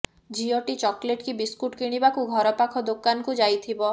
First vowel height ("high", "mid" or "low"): high